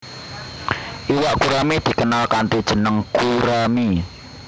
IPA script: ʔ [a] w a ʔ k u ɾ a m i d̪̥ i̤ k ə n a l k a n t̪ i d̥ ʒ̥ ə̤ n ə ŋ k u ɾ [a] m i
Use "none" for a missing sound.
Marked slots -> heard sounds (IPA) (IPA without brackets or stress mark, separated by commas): i, a